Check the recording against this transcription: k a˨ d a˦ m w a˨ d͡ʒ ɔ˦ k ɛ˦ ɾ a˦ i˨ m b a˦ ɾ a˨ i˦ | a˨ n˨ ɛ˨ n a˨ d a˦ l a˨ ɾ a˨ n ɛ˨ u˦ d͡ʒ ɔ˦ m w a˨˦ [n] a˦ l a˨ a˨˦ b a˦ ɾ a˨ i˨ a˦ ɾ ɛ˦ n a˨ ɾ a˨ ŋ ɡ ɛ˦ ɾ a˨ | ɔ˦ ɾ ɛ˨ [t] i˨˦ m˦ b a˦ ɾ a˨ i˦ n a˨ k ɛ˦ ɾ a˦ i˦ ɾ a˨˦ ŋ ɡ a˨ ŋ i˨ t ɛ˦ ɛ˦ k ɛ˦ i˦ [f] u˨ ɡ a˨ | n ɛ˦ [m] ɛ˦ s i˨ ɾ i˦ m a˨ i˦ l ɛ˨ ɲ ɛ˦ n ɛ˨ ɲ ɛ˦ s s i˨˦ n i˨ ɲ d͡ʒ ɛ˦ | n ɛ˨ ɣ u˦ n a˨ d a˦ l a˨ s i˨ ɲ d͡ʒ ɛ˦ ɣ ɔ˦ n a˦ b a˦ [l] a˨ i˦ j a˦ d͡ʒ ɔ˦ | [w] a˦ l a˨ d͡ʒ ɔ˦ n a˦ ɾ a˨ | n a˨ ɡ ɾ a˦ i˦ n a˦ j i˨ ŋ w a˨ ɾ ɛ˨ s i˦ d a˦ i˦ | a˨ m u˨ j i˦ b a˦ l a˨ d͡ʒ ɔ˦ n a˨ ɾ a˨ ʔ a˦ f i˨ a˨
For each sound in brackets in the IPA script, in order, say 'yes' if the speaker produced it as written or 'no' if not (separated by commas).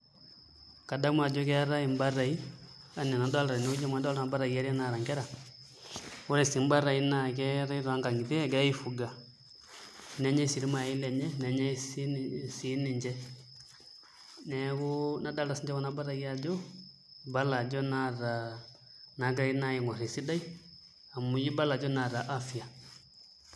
no, no, yes, no, no, no